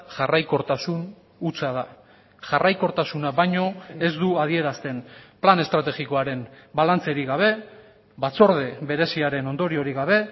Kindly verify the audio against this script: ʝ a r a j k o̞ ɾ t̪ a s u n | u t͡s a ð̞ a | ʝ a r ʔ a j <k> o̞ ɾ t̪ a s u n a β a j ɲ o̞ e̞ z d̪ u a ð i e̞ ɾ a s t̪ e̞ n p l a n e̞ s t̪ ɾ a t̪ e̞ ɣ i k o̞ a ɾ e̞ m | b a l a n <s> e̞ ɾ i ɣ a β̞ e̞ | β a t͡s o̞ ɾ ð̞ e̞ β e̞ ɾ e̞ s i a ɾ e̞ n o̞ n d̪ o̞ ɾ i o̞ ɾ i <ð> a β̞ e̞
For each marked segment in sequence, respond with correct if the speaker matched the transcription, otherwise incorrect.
correct, incorrect, incorrect

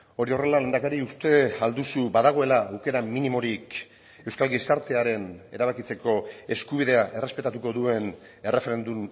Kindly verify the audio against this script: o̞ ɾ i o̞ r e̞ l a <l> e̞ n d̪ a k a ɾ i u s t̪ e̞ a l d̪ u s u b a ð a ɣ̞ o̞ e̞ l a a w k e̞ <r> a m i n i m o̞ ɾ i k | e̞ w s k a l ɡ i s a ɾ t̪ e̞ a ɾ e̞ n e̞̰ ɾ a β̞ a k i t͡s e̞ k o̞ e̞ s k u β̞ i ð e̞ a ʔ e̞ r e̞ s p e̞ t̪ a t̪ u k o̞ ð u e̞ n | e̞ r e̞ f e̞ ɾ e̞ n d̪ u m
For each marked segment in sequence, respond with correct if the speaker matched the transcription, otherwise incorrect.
correct, incorrect

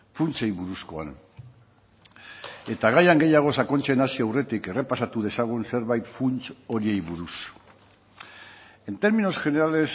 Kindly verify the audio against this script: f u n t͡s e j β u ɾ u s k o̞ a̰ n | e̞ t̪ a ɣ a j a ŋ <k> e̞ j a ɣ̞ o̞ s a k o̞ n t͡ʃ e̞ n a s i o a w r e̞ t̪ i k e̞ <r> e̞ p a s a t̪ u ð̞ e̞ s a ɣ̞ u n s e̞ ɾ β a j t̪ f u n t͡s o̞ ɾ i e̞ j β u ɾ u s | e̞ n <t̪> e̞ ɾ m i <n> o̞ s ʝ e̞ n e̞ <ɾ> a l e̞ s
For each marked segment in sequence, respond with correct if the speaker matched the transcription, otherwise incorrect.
incorrect, correct, correct, correct, correct

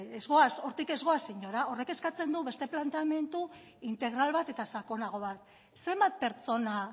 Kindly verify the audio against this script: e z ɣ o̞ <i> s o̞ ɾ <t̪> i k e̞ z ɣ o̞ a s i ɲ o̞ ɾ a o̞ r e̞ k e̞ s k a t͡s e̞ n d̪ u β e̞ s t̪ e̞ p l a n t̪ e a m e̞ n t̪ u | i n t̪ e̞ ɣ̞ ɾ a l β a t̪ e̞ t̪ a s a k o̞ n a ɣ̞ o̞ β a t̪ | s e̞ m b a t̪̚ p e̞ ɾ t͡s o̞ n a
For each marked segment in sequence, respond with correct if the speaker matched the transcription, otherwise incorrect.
incorrect, correct

